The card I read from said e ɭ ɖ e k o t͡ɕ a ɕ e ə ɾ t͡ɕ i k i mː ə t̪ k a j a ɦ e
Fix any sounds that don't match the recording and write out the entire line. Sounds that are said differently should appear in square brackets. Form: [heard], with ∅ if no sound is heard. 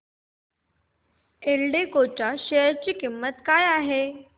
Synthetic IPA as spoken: e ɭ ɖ e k o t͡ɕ a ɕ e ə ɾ t͡ɕ [iː] k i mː ə t̪ k a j a ɦ e